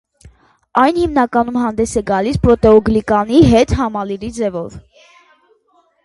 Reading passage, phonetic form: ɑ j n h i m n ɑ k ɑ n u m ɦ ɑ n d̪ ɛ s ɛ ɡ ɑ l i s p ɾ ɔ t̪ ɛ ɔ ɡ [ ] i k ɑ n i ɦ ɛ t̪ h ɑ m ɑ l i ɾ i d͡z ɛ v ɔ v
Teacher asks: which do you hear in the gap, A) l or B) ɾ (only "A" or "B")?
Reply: A